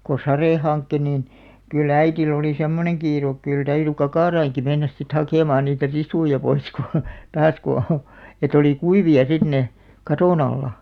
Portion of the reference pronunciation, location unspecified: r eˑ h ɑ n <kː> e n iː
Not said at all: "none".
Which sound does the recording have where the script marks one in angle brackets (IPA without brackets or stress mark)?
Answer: kː